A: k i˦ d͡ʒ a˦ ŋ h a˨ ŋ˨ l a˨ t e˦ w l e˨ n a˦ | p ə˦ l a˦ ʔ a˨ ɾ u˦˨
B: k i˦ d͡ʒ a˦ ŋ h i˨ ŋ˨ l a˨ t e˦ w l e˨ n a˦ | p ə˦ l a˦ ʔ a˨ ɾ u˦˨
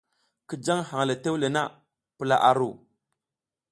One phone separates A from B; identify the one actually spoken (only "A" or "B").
A